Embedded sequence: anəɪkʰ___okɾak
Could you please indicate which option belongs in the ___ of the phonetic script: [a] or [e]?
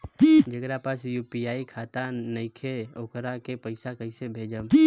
e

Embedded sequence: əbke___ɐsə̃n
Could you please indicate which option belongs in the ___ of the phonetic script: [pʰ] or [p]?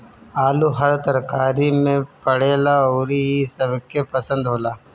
p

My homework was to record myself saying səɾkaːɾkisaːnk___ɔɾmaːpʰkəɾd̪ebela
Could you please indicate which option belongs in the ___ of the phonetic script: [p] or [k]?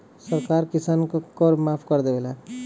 k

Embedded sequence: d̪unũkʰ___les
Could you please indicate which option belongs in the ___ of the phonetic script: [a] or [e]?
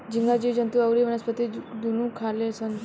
a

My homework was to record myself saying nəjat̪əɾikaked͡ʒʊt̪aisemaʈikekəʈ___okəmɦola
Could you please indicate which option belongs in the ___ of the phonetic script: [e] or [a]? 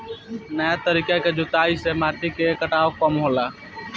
a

